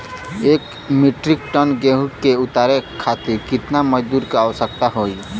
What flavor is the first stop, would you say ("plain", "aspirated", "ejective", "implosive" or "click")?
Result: plain